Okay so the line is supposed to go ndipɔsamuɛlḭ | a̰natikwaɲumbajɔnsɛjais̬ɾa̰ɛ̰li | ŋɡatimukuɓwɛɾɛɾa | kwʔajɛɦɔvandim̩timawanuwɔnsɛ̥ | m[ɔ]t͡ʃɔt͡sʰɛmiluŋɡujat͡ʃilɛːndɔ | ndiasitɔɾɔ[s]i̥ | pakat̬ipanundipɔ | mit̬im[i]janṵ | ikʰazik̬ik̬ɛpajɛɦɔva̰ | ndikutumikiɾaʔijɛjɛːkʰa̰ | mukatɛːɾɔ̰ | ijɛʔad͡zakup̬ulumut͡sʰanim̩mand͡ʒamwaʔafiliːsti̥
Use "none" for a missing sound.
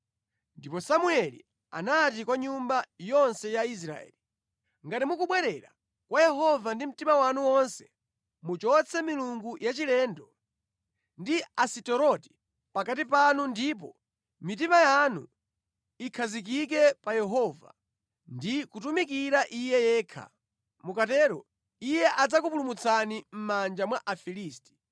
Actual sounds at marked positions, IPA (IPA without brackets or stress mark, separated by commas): u, t, a